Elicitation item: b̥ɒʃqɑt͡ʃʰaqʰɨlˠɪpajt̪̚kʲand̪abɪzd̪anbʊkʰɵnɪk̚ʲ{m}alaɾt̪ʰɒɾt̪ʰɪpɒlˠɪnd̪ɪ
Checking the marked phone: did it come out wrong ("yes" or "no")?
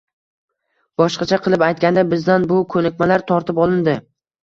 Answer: no